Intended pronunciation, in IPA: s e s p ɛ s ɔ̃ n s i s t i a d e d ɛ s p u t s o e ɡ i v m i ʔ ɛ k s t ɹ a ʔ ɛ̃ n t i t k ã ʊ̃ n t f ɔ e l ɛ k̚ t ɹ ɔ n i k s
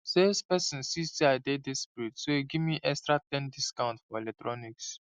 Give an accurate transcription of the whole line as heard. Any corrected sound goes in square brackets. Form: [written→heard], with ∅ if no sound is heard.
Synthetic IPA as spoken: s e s p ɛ s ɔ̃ n s i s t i a d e d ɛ s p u t s o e ɡ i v m i ʔ ɛ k s t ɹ a [ʔ→t] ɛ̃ n [t→d] i [t→s] k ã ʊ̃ n t f ɔ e l ɛ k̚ t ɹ ɔ n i k s

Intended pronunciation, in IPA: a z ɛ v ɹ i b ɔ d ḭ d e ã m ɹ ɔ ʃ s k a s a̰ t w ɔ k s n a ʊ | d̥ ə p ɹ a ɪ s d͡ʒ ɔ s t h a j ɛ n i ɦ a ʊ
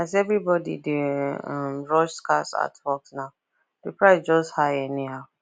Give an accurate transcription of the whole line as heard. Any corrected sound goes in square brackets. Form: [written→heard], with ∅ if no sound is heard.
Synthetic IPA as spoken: a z ɛ v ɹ i b ɔ d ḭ d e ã m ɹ ɔ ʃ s k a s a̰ t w ɔ k s n a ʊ | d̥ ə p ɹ a ɪ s d͡ʒ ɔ s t h a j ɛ n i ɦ a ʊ

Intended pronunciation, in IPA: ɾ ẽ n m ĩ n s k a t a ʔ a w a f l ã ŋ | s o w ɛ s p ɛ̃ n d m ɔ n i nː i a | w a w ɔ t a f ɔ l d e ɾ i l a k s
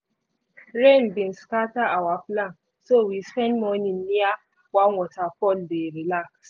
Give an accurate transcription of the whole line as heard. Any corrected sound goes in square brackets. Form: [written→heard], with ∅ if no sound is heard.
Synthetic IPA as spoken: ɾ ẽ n [m→b] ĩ n s k a t a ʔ a w a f l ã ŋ | s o w [ɛ→i] s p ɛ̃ n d m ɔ n i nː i a | w a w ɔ t a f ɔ l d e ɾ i l a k s

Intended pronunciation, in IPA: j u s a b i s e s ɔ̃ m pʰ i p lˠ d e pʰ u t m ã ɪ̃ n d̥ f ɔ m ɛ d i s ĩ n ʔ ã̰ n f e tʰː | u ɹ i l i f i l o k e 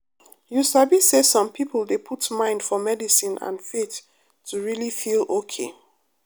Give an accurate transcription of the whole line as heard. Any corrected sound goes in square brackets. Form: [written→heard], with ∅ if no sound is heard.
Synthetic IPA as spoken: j u s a b i s e s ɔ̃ m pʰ i p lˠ d e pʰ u t m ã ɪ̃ n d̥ f ɔ m ɛ d i s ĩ n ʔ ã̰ n f e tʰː | u ɹ i l i f i l o [k→kʰ] e

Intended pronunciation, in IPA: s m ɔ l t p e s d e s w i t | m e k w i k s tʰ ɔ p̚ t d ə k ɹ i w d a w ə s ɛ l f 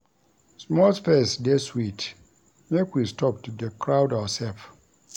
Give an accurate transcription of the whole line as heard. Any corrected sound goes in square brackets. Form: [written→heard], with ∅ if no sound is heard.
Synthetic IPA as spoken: s m ɔ l [t→s] p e s d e s w i t | m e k w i [k→∅] s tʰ ɔ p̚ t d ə k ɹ [i→a] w d a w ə s ɛ l f

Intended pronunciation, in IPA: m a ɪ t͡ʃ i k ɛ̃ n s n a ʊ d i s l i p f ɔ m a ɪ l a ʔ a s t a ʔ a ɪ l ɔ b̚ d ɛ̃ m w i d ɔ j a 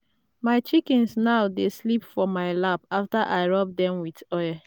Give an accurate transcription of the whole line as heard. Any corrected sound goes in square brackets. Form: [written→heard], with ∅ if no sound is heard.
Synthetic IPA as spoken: m a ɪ t͡ʃ i k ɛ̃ n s n a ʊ d [i→e] s l i p f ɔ m a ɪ l a [ʔ→p] a [s→f] t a ʔ a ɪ [l→ɹ] ɔ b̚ d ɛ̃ m w i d ɔ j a

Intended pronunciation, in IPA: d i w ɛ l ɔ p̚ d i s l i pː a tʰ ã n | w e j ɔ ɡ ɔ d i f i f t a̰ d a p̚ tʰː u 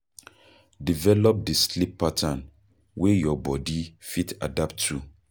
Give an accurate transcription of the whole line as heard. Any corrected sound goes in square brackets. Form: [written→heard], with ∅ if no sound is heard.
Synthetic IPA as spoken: d i [w→v] ɛ l ɔ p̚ d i s l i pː a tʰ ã n | w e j ɔ [ɡ→b] ɔ d i f i [f→∅] t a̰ d a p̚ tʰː u

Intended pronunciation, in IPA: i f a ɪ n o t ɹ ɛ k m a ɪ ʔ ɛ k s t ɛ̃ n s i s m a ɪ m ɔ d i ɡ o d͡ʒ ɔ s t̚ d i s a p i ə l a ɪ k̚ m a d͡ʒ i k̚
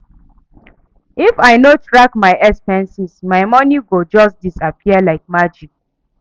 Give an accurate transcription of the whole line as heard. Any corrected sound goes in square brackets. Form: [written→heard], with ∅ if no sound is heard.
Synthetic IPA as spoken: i f a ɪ n o t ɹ [ɛ→a] k m a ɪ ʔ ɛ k s [t→p] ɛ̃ n s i s m a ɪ m ɔ [d→n] i ɡ o d͡ʒ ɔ s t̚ d i s a p i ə l a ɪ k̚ m a d͡ʒ i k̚

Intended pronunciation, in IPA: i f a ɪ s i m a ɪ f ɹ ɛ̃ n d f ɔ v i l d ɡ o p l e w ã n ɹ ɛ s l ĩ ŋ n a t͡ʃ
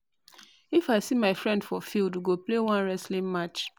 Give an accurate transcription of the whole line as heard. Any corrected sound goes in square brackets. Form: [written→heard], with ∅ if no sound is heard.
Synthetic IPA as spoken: i f a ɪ s i m a ɪ f ɹ ɛ̃ n d f ɔ [v→f] i l d ɡ o p l e w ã n ɹ ɛ s l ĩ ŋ [n→m] a t͡ʃ

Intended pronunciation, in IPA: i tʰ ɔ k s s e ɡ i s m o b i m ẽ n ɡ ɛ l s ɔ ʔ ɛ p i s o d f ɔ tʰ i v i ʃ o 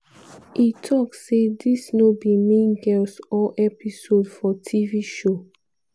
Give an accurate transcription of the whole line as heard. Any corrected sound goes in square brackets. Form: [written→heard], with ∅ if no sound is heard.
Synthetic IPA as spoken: i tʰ ɔ k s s e [ɡ→d] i s [m→n] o b i m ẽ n ɡ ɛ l s ɔ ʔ ɛ p i s o d f ɔ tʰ i v i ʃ o

